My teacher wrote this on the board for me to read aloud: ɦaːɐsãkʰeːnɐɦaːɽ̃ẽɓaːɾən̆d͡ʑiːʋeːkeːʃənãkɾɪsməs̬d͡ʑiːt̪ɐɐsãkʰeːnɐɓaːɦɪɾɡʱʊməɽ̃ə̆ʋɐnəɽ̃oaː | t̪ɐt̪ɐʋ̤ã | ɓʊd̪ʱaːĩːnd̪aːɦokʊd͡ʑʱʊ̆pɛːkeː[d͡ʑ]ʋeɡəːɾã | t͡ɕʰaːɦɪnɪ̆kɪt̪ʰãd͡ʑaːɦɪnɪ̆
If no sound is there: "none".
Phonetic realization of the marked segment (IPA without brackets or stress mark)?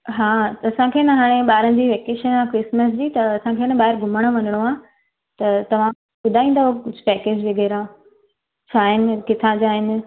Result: d͡ʑ